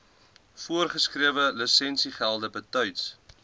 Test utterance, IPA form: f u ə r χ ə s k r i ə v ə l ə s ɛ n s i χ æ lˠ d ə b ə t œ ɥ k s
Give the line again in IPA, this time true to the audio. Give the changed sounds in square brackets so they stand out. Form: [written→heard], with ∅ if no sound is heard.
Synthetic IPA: f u ə r χ ə s k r i ə v ə l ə s ɛ n s i χ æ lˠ d ə b ə t œ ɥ [k→t] s